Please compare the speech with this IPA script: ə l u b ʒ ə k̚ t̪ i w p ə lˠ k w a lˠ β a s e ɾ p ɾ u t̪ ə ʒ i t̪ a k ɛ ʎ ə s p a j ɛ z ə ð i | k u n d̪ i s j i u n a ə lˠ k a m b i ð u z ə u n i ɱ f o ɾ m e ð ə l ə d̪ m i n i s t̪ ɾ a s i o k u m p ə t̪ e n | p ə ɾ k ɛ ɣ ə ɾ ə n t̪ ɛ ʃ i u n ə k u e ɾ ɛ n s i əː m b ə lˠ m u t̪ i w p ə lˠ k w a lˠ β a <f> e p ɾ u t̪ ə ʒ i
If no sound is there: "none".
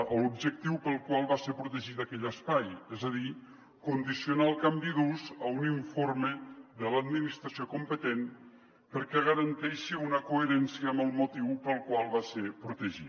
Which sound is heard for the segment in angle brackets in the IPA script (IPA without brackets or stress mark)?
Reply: s